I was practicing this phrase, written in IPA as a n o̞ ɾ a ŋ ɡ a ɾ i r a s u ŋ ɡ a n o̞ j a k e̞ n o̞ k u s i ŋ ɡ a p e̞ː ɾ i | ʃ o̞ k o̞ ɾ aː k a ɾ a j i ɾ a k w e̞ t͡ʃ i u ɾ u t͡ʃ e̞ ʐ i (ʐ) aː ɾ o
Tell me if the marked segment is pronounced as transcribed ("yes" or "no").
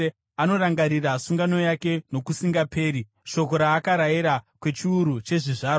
yes